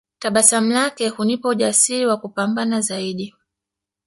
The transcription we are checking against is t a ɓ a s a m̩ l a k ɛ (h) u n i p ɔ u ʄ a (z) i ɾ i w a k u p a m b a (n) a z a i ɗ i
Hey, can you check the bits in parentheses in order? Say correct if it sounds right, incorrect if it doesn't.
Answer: correct, incorrect: s, correct

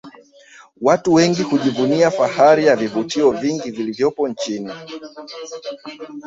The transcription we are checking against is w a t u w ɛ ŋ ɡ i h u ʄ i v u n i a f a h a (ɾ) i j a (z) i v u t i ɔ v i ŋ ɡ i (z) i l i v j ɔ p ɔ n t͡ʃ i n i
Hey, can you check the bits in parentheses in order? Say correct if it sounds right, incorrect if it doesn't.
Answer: correct, incorrect: v, incorrect: v

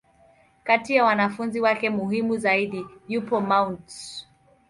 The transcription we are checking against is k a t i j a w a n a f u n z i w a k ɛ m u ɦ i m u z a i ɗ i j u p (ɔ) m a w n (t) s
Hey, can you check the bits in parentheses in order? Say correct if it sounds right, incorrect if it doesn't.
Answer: correct, correct

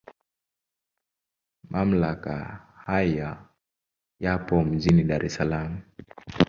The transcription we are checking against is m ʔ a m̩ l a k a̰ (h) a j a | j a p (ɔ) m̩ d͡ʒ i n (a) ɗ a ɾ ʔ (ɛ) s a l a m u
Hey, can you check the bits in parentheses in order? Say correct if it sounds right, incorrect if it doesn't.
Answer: correct, correct, incorrect: i, correct

